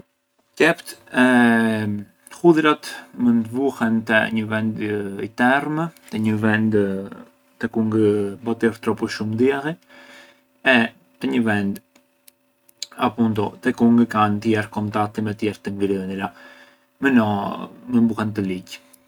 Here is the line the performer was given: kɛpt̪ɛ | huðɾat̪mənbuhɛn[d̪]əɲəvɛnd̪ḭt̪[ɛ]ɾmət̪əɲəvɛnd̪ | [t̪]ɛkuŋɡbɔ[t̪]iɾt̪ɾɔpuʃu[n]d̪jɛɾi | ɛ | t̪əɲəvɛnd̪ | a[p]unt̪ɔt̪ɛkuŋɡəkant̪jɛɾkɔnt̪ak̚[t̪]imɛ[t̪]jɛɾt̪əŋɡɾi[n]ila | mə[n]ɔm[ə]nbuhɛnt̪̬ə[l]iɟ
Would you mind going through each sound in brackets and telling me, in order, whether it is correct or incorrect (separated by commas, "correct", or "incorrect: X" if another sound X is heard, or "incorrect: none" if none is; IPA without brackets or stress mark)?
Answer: incorrect: t̪, correct, correct, correct, incorrect: m, correct, correct, correct, correct, correct, correct, correct